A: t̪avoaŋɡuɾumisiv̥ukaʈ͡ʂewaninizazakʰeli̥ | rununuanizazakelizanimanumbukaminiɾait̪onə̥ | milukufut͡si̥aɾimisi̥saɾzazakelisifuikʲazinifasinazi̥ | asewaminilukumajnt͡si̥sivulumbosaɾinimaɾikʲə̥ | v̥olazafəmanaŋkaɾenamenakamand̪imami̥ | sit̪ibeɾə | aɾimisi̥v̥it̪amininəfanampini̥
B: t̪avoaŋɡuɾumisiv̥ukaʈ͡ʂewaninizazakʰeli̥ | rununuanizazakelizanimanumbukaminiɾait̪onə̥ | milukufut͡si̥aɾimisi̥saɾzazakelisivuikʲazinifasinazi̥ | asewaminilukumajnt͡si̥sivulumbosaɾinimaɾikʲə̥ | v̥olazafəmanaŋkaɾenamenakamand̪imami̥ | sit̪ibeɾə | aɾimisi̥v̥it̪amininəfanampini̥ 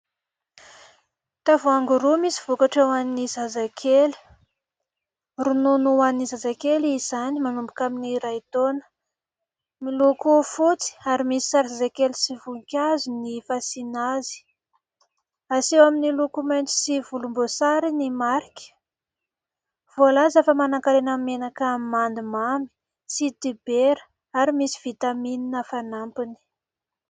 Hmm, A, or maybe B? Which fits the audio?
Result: B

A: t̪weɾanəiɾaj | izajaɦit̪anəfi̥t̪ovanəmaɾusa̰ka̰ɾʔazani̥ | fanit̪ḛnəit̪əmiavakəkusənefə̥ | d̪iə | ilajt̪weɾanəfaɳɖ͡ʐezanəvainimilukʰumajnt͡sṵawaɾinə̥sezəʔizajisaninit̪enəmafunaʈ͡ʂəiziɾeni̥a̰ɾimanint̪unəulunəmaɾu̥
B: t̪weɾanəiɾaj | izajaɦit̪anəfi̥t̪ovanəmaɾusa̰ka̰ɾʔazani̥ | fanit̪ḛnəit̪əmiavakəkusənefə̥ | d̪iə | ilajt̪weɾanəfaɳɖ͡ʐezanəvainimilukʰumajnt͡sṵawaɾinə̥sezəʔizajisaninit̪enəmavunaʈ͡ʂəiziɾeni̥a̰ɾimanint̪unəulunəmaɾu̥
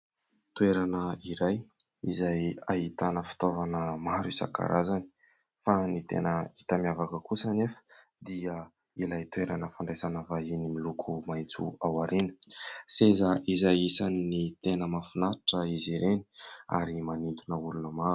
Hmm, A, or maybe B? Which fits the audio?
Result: A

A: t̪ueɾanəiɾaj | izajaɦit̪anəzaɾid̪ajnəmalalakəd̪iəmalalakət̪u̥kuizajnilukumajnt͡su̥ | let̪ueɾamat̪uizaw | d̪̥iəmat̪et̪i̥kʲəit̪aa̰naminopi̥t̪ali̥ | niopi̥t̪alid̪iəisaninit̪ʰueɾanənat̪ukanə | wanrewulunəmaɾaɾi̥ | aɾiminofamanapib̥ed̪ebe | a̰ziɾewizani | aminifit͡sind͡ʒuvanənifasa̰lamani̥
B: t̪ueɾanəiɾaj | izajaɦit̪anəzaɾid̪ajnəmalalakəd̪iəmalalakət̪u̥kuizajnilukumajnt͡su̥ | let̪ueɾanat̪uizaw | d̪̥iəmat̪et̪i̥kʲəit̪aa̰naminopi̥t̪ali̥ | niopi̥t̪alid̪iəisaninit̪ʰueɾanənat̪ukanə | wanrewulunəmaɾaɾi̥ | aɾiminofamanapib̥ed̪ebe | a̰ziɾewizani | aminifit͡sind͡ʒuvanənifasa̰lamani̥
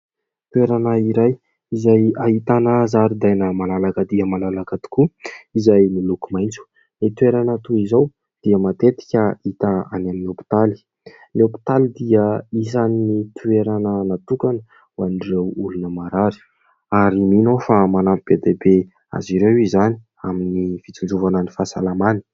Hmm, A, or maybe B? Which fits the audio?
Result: B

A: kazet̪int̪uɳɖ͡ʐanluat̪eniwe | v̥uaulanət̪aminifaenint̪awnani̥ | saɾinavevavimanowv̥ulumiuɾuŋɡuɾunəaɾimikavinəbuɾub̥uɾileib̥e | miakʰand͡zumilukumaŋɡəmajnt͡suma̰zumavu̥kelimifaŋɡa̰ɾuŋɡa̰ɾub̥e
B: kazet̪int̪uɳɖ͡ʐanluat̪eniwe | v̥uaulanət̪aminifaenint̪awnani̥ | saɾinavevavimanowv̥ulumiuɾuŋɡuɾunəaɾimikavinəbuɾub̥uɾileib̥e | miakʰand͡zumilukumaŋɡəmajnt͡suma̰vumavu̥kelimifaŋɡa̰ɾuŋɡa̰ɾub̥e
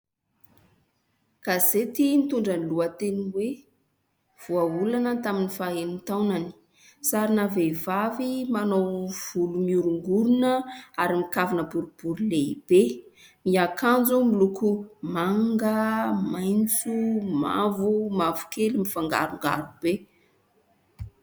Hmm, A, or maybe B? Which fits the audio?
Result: B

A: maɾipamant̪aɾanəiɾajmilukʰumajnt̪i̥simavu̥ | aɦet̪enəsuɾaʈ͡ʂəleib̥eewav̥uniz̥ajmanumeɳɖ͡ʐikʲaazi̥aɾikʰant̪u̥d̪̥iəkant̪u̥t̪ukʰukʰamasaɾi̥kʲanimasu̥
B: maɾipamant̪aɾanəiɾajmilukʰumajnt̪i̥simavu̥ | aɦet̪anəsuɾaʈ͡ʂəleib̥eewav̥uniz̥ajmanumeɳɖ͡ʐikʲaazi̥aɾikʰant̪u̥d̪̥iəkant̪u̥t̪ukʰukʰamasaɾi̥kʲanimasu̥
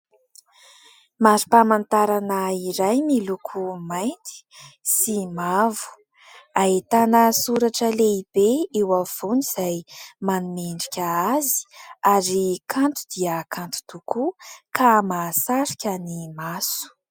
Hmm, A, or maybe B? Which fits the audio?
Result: B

